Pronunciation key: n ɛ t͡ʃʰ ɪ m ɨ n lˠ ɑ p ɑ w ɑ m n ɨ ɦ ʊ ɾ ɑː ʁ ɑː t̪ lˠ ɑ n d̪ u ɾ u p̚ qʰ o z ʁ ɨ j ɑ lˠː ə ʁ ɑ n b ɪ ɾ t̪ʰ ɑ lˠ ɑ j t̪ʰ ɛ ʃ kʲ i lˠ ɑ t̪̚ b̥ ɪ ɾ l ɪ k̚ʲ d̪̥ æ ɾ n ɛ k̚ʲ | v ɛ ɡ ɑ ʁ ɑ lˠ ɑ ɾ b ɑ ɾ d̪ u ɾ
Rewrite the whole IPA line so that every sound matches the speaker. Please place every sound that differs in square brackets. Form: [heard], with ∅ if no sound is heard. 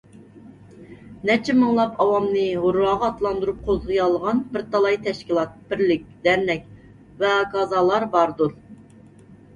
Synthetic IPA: n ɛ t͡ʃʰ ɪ m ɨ [ŋ] lˠ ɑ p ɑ w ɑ m n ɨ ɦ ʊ ɾ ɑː ʁ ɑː t̪ lˠ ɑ n d̪ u ɾ u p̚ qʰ o z ʁ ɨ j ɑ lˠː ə ʁ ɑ n b ɪ ɾ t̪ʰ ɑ lˠ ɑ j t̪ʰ ɛ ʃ kʲ i lˠ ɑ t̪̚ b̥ ɪ ɾ l ɪ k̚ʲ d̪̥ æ ɾ n ɛ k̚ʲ | v ɛ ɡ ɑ [z] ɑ lˠ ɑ ɾ b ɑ ɾ d̪ u ɾ